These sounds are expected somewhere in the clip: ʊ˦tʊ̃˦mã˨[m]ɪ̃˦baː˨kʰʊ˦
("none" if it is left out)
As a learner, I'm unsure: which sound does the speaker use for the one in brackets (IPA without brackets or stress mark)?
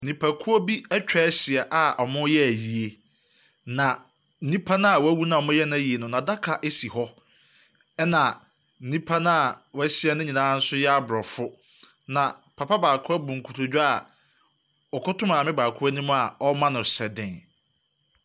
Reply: m